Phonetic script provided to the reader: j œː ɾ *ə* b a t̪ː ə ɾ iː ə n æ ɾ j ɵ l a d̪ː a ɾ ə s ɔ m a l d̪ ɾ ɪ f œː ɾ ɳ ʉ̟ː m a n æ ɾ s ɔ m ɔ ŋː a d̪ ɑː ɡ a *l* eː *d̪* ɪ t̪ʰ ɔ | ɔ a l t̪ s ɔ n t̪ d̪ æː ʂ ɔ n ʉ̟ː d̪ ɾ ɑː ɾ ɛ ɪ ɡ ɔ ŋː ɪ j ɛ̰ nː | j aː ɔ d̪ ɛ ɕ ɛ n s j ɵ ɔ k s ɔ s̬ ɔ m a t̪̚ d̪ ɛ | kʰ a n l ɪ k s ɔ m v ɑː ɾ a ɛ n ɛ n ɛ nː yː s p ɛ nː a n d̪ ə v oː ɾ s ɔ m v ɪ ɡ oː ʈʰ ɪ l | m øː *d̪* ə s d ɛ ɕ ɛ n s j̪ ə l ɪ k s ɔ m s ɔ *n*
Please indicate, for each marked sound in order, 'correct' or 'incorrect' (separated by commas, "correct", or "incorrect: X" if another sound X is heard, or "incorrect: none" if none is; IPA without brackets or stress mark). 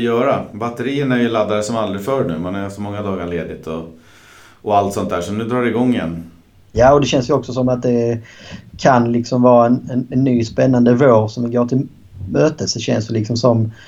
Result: incorrect: a, incorrect: ɭ, correct, incorrect: t̪, incorrect: m